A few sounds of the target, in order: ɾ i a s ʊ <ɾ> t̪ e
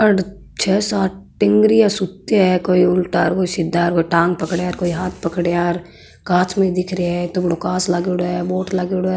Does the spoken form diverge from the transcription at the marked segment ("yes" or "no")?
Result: yes